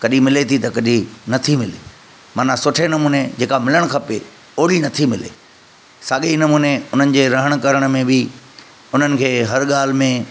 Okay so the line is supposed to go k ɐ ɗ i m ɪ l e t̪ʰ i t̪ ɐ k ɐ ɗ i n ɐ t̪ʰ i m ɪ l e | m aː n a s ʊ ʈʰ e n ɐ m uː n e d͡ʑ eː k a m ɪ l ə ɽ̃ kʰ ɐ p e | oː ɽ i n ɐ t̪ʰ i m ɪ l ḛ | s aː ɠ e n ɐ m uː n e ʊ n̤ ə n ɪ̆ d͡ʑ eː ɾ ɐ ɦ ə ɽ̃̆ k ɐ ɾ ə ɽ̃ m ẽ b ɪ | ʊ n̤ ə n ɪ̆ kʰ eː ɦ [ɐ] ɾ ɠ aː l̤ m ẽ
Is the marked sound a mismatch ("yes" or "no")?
no